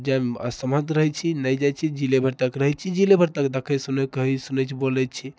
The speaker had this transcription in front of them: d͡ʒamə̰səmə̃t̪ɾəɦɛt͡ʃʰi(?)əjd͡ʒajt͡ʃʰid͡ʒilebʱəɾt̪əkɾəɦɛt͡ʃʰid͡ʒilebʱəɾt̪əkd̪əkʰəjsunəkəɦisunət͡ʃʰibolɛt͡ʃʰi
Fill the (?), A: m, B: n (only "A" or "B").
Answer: B